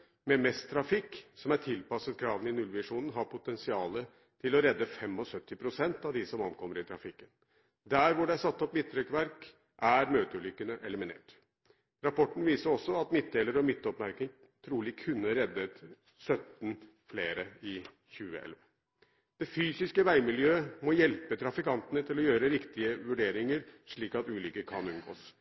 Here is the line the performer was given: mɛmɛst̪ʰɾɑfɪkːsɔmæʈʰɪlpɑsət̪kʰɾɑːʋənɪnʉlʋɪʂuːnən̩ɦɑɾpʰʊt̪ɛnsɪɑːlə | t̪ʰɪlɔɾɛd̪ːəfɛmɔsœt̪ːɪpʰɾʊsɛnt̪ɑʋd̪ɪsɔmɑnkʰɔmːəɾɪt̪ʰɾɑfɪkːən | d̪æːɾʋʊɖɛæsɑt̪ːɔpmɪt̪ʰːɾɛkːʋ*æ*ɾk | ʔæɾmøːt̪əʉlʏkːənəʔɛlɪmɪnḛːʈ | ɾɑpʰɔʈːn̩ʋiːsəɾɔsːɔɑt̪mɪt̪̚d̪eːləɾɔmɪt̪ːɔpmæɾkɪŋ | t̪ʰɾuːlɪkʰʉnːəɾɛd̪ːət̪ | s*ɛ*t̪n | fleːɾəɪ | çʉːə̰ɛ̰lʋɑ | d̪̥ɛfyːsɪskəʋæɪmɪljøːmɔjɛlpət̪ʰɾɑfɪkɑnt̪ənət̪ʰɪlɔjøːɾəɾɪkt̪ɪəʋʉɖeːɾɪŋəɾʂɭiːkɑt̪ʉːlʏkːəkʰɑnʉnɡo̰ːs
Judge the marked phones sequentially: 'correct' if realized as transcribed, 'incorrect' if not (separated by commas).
correct, incorrect